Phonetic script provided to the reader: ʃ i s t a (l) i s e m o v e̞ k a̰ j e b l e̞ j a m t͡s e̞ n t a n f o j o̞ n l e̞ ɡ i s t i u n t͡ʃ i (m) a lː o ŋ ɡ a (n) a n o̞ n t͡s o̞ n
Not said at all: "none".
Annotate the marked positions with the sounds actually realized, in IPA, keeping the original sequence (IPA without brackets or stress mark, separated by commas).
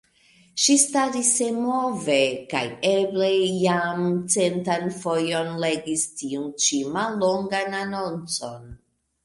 ɾ, m, n